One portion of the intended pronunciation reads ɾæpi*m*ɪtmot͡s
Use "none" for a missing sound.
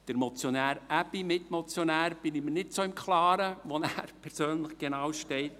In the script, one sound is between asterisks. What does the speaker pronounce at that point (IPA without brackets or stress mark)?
m